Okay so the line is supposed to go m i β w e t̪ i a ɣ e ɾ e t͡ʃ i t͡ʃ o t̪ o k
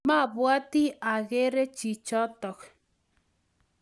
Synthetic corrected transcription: m a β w a t̪ i a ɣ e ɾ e t͡ʃ i t͡ʃ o t̪ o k